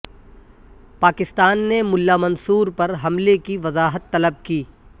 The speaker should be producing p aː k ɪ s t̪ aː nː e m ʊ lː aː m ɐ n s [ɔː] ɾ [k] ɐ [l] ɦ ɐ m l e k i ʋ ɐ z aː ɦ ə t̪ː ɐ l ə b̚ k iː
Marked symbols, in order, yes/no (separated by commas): no, no, no